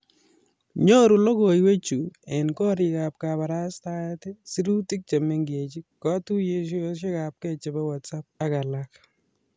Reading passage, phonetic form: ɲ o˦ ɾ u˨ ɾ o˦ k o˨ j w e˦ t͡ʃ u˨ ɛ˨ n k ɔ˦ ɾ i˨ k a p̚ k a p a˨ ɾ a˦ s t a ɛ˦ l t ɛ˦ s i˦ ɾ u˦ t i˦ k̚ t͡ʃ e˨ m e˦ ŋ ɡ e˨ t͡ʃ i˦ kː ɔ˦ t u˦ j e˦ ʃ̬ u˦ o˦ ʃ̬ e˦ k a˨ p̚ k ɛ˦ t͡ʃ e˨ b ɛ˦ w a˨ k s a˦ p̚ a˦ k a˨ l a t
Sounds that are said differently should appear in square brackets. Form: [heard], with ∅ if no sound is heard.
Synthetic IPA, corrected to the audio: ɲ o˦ ɾ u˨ [l] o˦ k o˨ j w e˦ t͡ʃ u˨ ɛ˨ n k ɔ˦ ɾ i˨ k a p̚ k a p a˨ ɾ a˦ s t a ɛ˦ [∅] t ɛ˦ s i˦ ɾ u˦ t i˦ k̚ t͡ʃ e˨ m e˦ ŋ ɡ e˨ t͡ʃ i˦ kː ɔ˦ t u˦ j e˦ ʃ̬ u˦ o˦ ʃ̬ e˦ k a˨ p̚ k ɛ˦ t͡ʃ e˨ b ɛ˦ w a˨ [t] s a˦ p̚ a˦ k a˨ l a [k]

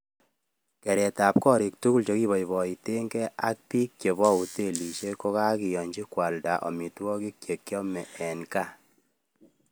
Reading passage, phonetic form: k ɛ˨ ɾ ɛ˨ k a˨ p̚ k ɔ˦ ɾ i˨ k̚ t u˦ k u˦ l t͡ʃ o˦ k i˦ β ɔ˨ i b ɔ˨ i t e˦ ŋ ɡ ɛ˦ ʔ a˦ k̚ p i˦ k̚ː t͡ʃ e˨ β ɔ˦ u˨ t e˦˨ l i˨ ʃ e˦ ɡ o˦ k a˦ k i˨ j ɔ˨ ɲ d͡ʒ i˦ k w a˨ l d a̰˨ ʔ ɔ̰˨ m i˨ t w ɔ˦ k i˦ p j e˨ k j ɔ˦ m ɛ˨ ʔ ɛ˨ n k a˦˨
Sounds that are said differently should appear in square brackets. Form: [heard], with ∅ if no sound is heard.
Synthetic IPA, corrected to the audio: k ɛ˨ ɾ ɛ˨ [t] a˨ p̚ k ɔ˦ ɾ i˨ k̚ t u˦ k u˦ l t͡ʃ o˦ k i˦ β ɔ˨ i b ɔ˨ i t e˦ ŋ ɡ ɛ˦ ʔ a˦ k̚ p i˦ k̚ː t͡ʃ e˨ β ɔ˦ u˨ t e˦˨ l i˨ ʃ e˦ [k] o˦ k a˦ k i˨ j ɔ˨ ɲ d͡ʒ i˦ k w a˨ l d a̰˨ ʔ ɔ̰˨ m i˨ t w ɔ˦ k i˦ [k] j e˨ k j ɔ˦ m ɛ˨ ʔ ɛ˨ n k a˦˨

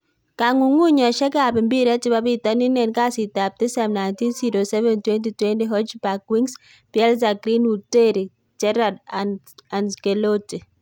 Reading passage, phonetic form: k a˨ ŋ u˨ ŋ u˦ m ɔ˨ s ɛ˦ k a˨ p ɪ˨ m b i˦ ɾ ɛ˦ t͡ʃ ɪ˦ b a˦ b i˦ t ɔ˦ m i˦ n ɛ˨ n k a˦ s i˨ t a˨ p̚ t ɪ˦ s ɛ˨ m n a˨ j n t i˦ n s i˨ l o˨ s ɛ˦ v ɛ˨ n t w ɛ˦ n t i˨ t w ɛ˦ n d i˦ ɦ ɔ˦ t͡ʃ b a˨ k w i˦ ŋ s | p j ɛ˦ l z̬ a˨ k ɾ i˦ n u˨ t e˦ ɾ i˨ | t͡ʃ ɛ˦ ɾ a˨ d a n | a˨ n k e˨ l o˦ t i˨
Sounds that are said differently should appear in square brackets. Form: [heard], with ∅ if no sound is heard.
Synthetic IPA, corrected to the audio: k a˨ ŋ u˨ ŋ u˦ [ɲ] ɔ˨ [ʃ] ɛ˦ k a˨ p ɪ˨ m b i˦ ɾ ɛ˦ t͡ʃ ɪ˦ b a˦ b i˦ t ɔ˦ [n] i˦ n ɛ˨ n k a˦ s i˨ t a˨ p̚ t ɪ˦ s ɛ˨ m n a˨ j n t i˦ n s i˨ [ɾ] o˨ s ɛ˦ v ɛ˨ n t w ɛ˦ n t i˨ t w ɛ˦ n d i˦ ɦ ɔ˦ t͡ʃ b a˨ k w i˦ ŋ s | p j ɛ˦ l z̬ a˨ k ɾ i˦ n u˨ t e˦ ɾ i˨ | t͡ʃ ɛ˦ ɾ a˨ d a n | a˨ n k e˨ l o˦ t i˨

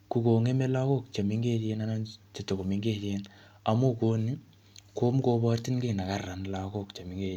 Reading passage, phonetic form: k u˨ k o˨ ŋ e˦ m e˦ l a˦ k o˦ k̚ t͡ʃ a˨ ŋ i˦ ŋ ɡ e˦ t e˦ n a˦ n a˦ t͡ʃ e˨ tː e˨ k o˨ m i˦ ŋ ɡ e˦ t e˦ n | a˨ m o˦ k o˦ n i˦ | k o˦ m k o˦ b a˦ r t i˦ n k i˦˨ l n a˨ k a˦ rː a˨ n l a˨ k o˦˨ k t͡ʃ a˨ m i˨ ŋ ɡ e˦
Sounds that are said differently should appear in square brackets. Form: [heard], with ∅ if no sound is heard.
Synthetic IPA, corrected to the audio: k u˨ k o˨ ŋ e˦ m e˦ l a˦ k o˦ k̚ t͡ʃ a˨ [m] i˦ ŋ ɡ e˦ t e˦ n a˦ n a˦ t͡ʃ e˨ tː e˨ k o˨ m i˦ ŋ ɡ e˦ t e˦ n | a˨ m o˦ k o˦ n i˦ | k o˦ m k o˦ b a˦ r t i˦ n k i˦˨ [∅] n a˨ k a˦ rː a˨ n l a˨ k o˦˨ k t͡ʃ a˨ m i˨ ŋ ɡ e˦

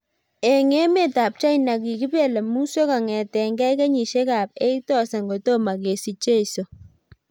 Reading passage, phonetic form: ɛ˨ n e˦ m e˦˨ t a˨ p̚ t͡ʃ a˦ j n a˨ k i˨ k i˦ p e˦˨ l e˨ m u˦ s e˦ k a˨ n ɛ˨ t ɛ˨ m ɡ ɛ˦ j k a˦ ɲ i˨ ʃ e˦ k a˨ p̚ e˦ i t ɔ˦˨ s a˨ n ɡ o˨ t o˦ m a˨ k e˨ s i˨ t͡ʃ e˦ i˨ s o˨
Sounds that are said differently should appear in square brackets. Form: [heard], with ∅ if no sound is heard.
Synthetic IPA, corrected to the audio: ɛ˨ [ŋ] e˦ m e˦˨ t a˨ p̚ t͡ʃ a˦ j n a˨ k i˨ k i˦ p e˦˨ l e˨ m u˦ s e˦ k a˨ [ŋ] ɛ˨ t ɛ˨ [ŋ] ɡ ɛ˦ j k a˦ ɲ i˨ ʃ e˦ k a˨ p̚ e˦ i t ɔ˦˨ s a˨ [ŋ] ɡ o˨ t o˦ m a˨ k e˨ s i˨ t͡ʃ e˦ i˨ s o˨

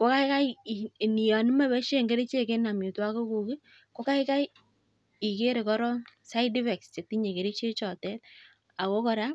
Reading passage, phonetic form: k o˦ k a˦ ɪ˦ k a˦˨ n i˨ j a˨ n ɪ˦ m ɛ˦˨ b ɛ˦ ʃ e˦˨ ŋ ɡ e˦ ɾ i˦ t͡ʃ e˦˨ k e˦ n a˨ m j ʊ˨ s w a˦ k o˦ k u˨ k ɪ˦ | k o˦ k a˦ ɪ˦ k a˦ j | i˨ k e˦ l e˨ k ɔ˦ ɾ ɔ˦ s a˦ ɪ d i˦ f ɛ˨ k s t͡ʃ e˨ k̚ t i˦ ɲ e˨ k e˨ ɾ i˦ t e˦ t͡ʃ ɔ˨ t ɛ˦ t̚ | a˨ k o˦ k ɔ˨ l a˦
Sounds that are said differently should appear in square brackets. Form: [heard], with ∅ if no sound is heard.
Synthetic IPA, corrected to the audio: k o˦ k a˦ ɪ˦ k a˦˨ n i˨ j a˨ n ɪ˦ m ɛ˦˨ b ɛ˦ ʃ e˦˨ ŋ ɡ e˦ ɾ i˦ t͡ʃ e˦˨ k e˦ n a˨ m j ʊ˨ [t] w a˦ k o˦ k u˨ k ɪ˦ | k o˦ k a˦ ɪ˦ k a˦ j | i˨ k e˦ [ɾ] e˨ k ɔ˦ ɾ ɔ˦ s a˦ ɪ d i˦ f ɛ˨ k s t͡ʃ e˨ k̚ t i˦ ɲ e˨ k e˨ ɾ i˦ [t͡ʃ] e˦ t͡ʃ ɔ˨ t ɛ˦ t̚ | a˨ k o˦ k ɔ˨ [ɾ] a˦

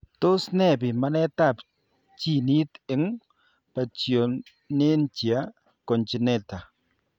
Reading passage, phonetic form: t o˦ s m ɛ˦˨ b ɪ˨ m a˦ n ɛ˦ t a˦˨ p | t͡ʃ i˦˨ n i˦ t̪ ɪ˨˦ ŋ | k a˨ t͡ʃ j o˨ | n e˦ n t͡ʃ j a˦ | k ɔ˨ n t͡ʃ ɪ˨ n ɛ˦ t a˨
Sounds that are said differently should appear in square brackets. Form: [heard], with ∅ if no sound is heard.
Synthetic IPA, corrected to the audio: t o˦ s [n] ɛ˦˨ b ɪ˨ m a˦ n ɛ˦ t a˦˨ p | t͡ʃ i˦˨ n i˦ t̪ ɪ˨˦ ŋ | [p] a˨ t͡ʃ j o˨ | n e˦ n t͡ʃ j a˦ | k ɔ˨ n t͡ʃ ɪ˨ n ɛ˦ t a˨

